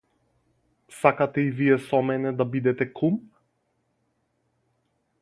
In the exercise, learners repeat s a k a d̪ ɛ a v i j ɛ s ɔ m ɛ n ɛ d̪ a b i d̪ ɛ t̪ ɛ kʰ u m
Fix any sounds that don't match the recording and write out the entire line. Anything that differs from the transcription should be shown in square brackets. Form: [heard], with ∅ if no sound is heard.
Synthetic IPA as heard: s a k a [t̪] ɛ [i] v i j ɛ s ɔ m ɛ n ɛ d̪ a b i d̪ ɛ t̪ ɛ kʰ u m

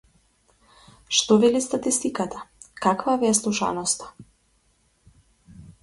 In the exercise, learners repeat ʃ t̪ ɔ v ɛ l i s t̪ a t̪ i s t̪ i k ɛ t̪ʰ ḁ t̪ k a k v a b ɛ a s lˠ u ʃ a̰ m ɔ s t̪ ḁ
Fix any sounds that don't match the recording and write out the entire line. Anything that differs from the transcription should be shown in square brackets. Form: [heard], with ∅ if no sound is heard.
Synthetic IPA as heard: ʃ t̪ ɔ v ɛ l i s t̪ a t̪ i s t̪ i k [a] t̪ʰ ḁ [∅] k a k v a [v] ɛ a s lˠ u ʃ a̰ [n] ɔ s t̪ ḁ

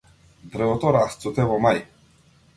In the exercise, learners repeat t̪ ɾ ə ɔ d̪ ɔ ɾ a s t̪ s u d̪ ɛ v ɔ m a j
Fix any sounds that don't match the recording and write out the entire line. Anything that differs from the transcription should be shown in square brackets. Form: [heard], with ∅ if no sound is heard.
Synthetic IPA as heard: [d̪] ɾ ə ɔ [t̪] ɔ ɾ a s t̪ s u [t̪] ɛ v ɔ m a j

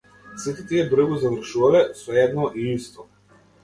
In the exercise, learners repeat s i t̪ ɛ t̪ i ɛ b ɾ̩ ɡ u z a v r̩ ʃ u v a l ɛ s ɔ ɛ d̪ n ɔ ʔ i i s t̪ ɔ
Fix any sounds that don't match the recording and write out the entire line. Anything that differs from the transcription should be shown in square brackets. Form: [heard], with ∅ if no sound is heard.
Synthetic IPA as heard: s i t̪ ɛ t̪ i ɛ b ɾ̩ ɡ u z a v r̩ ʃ u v a l ɛ s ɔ ɛ d̪ n ɔ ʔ i i s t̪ ɔ

